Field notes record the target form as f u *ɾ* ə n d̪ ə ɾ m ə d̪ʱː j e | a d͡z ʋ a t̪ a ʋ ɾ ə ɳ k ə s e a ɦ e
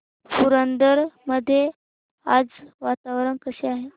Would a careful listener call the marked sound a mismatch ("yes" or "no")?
no